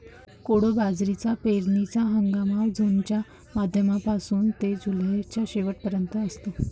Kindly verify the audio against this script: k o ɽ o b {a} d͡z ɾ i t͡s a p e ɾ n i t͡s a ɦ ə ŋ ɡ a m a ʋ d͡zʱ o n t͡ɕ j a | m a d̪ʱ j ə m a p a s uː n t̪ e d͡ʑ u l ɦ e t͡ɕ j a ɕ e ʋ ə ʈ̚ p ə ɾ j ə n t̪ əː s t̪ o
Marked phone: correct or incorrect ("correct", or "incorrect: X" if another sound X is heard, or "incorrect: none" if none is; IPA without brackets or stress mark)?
correct